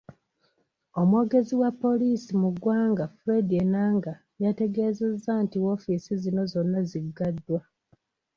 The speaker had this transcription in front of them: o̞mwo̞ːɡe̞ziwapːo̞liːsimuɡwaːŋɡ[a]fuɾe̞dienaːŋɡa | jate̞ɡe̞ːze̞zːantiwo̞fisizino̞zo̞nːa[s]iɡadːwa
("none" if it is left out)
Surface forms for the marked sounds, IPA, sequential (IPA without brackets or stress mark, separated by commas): a, z